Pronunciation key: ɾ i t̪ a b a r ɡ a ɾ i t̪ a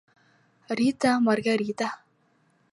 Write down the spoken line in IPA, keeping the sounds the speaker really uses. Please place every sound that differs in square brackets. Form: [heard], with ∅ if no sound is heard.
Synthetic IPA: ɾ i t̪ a [m] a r ɡ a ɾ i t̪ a